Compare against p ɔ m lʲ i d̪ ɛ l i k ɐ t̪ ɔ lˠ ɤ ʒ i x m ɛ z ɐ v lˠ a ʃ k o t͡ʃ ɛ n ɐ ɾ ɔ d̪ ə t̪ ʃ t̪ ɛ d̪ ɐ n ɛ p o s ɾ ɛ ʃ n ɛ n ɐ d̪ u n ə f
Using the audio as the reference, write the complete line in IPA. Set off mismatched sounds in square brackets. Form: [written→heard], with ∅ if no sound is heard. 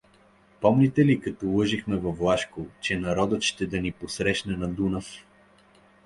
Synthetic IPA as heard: p ɔ m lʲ i [d̪→t̪] ɛ l i k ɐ t̪ ɔ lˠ ɤ ʒ i x m ɛ [z→v] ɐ v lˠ a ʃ k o t͡ʃ ɛ n ɐ ɾ ɔ d̪ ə t̪ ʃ t̪ ɛ d̪ ɐ n [ɛ→i] p o s ɾ ɛ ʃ n ɛ n ɐ d̪ u n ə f